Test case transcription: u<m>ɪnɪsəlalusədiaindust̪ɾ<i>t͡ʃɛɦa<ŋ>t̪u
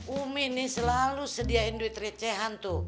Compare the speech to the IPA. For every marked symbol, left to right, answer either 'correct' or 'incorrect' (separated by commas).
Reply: correct, correct, incorrect